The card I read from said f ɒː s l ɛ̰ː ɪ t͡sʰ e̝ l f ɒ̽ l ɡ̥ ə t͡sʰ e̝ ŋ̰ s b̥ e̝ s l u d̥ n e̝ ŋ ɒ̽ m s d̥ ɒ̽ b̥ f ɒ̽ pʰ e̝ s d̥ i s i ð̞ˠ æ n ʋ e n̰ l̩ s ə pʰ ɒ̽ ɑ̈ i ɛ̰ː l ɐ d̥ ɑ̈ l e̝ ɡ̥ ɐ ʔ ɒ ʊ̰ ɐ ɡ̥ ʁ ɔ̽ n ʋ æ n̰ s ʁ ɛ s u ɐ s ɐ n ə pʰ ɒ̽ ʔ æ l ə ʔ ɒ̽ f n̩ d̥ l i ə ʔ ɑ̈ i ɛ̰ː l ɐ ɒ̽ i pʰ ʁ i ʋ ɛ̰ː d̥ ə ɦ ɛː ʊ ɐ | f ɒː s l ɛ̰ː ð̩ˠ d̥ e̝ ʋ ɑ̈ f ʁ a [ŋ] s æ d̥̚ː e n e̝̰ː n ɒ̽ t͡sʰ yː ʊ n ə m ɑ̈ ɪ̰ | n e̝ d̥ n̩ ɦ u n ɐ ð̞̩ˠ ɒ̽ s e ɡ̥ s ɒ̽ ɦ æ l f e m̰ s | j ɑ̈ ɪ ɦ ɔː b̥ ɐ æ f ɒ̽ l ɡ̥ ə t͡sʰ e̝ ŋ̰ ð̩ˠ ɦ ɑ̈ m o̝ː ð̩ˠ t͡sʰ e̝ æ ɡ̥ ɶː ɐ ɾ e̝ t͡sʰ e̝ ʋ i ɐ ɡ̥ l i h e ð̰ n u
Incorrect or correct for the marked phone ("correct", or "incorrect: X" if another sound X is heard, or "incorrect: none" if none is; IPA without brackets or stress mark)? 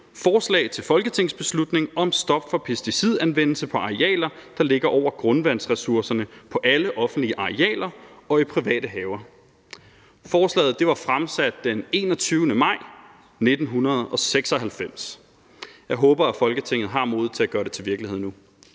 incorrect: m